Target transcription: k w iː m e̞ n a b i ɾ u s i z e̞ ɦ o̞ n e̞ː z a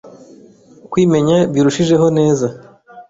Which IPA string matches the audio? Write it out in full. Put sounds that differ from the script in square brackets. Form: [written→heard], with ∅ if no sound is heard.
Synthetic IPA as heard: k w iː m e̞ [n→ɲ] a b i ɾ u [s→ʃ] i [z→ʒ] e̞ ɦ o̞ n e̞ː z a